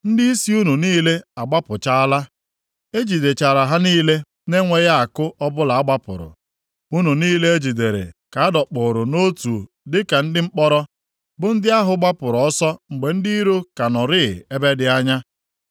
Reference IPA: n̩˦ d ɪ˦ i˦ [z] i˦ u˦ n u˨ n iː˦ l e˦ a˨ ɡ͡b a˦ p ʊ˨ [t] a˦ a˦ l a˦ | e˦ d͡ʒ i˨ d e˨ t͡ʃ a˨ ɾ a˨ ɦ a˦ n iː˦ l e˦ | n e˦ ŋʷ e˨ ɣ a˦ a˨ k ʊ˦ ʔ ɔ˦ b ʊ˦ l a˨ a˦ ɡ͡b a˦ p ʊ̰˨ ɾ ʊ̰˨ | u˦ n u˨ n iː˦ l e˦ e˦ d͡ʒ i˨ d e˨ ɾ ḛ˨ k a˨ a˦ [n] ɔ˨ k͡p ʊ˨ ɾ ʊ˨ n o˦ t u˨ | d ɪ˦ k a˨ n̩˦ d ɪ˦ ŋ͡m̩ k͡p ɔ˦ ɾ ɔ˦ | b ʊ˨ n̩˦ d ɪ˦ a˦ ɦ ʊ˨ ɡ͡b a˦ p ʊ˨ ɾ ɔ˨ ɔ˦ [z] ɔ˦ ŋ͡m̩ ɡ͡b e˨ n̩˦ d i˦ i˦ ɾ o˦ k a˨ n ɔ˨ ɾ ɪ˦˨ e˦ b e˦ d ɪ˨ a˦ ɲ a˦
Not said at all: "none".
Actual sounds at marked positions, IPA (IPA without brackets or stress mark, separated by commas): s, t͡ʃ, d, s